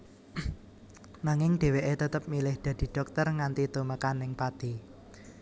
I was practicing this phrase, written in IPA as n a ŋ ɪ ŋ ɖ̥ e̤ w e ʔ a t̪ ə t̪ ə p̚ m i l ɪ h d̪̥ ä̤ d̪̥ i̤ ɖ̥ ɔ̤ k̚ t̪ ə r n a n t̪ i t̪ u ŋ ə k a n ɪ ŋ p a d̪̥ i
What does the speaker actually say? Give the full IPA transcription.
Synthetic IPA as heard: n a ŋ ɪ ŋ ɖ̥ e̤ w e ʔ e t̪ ə t̪ ə p̚ m i l ɪ h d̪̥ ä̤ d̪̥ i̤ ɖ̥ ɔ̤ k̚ t̪ ə r ŋ a n t̪ i t̪ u m ə k a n ɪ ŋ p a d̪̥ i